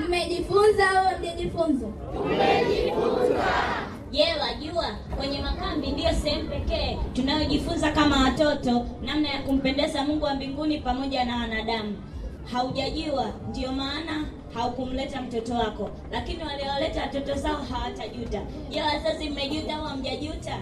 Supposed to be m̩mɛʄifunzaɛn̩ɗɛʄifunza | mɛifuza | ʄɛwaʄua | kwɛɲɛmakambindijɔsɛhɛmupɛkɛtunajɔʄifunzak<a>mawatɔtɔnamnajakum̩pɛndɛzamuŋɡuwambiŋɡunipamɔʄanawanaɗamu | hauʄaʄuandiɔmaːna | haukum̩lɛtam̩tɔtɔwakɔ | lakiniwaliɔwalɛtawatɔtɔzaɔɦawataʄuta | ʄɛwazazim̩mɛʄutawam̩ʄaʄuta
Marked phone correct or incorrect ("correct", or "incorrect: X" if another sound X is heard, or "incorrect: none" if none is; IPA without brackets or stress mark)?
correct